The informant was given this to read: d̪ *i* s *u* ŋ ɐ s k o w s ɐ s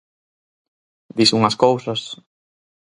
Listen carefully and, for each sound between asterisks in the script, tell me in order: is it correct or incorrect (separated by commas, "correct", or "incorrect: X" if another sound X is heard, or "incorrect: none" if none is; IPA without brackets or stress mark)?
correct, correct